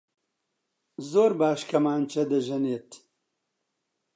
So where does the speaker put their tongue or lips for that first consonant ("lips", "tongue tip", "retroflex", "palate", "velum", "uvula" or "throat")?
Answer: tongue tip